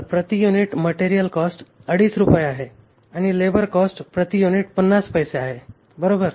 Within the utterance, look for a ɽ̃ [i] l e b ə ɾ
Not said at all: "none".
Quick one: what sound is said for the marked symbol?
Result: i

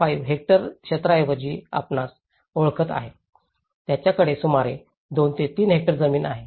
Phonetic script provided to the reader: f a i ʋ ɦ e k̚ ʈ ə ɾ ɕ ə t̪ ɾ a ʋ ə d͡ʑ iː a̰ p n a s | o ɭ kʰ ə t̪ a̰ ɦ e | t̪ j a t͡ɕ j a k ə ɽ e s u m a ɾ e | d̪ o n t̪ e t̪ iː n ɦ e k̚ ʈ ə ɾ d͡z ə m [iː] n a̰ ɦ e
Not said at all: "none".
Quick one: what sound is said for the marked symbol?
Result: iː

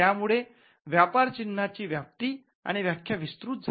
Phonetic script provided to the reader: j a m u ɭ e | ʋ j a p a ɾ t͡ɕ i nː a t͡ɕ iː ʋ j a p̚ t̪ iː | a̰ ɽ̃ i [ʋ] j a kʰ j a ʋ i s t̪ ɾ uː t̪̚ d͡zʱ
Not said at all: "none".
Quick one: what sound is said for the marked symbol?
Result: ʋ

